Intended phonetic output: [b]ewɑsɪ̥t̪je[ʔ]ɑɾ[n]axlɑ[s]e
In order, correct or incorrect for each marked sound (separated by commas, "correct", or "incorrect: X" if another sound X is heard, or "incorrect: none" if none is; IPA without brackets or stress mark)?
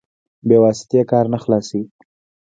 correct, incorrect: k, correct, correct